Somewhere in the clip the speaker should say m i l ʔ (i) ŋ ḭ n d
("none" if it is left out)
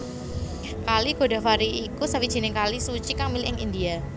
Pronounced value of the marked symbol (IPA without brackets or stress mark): ɪ